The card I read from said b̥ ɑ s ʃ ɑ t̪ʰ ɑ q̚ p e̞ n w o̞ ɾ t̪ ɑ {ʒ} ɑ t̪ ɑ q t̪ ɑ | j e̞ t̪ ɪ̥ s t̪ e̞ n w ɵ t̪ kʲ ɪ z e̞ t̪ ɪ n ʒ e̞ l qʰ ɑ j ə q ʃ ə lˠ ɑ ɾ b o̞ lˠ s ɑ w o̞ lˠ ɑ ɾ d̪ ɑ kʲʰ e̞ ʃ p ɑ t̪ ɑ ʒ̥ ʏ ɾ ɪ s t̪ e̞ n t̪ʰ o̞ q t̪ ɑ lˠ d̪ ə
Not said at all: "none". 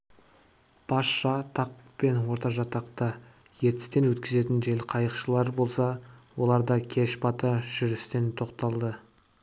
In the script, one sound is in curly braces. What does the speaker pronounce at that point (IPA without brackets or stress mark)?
ʒ